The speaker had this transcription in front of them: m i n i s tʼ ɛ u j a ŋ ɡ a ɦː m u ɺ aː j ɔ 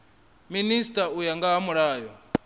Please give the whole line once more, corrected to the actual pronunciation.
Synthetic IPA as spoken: m i n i s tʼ a u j a ŋ ɡ a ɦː m u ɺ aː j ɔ